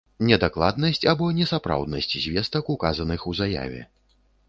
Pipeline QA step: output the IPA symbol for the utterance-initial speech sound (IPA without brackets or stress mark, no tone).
nʲ